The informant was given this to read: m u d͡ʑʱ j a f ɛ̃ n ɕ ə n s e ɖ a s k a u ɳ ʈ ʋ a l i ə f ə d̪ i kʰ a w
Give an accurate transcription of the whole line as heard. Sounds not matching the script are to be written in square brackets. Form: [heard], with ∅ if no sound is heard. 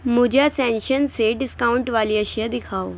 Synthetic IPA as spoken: m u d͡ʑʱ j a [s] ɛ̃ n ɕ ə n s e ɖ [i] s k a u ɳ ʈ ʋ a l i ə [ɕ] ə d̪ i kʰ a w